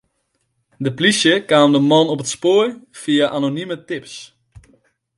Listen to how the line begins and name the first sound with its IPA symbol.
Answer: d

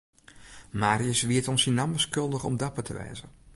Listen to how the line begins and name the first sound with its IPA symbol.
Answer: m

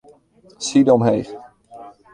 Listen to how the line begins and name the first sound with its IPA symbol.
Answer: s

